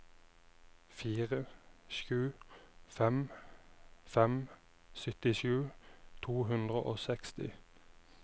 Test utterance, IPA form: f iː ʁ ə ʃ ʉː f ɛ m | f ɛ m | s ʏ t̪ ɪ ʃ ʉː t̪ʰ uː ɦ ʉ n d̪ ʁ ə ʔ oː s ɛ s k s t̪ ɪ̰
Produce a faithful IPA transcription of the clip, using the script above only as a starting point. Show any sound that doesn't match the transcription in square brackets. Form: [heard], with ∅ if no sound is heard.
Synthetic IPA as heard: f iː ʁ ə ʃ ʉː f ɛ m | f ɛ m | s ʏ t̪ ɪ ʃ ʉː t̪ʰ uː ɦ ʉ n d̪ ʁ ə ʔ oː s ɛ [∅] k s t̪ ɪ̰